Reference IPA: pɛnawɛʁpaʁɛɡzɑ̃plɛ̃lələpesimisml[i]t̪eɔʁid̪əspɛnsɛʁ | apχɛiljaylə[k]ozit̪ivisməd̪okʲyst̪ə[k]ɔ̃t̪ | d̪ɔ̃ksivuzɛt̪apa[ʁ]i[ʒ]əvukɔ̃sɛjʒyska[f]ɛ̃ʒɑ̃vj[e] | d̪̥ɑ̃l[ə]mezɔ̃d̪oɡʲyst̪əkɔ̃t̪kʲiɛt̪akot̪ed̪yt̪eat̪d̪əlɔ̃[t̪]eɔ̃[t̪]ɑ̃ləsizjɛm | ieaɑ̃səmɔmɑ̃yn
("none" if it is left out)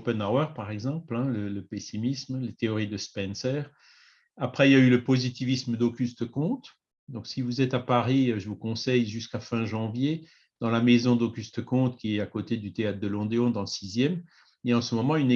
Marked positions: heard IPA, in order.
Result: e, p, k, ʁ, ʒ, f, e, a, d̪, d̪

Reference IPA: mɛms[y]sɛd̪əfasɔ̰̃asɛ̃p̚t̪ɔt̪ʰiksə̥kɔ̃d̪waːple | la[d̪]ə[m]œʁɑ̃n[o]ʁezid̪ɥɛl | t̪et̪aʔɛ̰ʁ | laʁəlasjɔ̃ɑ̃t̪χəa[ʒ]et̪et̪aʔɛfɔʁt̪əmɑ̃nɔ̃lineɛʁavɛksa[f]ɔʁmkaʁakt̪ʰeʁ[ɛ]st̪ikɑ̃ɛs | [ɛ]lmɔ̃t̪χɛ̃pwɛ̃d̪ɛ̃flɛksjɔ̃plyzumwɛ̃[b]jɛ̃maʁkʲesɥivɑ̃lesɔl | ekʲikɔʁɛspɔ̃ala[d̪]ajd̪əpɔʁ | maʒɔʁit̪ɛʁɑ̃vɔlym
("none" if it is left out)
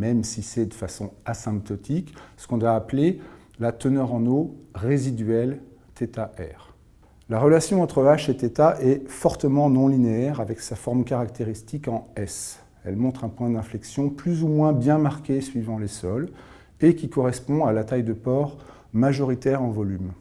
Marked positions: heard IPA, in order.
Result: i, t̪, n, o, ʃ, f, i, ɛ, b, t̪

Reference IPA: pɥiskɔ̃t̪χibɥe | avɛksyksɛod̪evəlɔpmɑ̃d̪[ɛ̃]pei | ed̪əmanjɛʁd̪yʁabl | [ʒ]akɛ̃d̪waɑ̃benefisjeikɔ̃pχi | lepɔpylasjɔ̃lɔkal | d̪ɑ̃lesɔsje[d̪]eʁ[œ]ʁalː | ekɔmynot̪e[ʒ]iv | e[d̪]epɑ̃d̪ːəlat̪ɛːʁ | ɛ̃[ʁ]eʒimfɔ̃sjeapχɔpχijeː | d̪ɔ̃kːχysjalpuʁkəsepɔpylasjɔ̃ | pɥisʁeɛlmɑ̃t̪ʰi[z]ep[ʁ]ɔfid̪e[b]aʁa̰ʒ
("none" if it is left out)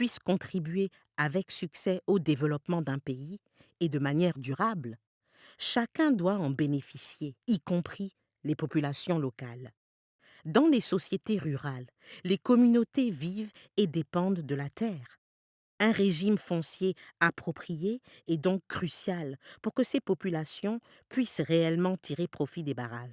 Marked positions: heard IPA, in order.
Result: ɛ̃, ʃ, t̪, y, v, d̪, ʁ, ʁ, χ, b

